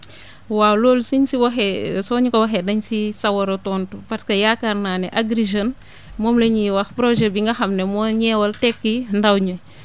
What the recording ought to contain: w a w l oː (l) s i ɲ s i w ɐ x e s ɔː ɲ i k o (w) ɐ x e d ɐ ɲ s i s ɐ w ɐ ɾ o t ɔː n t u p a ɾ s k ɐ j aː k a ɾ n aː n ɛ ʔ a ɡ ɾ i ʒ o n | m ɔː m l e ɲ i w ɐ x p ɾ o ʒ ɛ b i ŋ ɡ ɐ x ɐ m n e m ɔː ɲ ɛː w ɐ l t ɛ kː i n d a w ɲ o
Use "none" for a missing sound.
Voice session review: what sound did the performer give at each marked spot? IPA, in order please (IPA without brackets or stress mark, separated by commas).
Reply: l, w